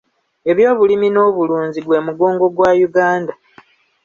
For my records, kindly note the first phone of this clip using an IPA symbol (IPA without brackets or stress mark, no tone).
e̞